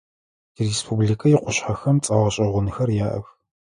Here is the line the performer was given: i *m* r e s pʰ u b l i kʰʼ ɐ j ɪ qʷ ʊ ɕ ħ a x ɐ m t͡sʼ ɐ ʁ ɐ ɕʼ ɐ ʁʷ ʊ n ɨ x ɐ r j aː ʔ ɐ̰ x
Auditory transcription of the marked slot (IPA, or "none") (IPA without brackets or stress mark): none